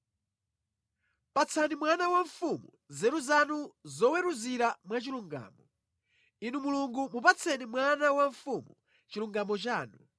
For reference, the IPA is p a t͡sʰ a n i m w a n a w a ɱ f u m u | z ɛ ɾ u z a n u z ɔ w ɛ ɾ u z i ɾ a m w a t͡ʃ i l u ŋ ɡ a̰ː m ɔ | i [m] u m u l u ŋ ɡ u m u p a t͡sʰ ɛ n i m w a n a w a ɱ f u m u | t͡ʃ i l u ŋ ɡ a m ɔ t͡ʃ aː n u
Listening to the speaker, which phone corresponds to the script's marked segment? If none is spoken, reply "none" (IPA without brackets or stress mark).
n